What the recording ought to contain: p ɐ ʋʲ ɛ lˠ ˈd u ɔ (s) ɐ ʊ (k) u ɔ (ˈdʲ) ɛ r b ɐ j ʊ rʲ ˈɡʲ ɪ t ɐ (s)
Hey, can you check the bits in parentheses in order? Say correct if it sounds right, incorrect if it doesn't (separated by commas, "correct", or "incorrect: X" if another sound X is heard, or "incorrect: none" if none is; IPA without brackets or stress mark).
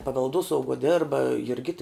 correct, incorrect: ɡ, correct, incorrect: none